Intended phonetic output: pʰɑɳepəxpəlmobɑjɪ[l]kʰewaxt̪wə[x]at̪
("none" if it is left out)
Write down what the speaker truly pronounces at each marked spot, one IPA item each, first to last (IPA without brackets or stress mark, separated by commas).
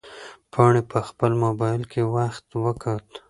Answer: l, k